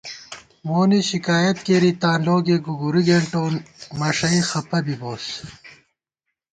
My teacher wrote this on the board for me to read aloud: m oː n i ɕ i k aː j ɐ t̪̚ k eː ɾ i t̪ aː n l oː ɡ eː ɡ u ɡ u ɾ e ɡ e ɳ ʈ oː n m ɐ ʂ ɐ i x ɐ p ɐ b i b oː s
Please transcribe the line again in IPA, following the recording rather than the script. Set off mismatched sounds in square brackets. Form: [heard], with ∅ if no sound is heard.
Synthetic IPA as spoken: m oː n i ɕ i k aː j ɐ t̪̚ k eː ɾ i t̪ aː n l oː ɡ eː ɡ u ɡ u ɾ [i] ɡ e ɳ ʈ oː n m ɐ ʂ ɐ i x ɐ p ɐ b i b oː s